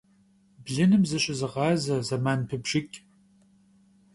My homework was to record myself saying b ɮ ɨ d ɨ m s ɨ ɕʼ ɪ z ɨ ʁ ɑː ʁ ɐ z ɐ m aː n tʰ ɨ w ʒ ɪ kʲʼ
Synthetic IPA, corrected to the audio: b ɮ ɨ n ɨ m z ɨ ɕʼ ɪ z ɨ ʁ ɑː z ɐ z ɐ m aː n pʰ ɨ b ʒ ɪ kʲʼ